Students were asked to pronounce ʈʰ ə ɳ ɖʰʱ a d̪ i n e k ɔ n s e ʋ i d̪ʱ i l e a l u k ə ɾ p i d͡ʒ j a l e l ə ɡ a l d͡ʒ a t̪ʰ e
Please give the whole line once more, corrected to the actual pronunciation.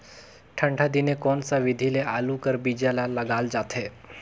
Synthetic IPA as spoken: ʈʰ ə ɳ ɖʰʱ a d̪ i n e k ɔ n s a ʋ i d̪ʱ i l e a l u k ə ɾ b i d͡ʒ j a l a l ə ɡ a l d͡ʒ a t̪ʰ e